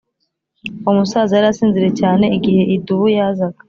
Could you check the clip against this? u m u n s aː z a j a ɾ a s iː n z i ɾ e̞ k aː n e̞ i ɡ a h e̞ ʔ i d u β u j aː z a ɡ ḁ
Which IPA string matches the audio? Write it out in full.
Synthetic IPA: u m u s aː z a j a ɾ a s iː n z i ɾ e̞ c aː n e̞ i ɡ i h e̞ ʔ i d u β u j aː z a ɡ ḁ

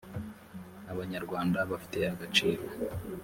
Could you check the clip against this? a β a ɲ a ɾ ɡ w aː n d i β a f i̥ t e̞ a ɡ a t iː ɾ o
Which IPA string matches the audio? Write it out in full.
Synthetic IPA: a β a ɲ a ɾ ɡ w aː n d a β a f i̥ t e̞ a ɡ a t͡ʃ iː ɾ o

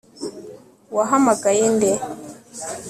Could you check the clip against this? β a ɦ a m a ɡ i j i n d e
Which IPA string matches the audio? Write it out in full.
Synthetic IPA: w a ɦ a m a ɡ a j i n d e

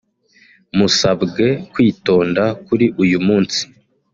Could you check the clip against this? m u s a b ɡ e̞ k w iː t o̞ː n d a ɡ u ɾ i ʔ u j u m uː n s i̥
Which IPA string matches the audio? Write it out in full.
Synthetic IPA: m u s a b ɡ e̞ k w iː t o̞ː n d a k u ɾ i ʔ u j u m uː n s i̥

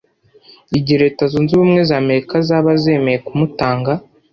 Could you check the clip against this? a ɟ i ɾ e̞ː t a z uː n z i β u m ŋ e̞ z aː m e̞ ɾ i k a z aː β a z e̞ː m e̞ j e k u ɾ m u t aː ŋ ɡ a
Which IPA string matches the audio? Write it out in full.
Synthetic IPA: i ɟ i ɾ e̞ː t a z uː n z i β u m ŋ e̞ z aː m e̞ ɾ i k a z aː β a z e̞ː m e̞ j e k u m u t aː ŋ ɡ a

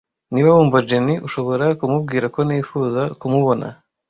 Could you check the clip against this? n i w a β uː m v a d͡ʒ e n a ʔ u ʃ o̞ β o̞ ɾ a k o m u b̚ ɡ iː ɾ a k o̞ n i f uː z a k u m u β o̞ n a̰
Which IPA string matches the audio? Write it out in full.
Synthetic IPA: n i β a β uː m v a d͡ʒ e n i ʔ u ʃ o̞ β o̞ ɾ a k u m u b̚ ɡ iː ɾ a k o̞ n i f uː z a k u m u β o̞ n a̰

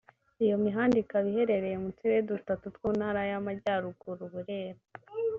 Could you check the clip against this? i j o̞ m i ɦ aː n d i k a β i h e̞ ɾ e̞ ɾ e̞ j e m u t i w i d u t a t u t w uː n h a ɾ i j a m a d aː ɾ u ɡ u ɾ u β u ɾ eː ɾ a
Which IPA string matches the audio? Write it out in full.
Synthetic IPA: i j o̞ m i ɦ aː n d i k a β i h e̞ ɾ e̞ ɾ e̞ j e m u t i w e d u t a t u t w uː n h a ɾ a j a m a ɟ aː ɾ u ɡ u ɾ u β u ɾ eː ɾ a

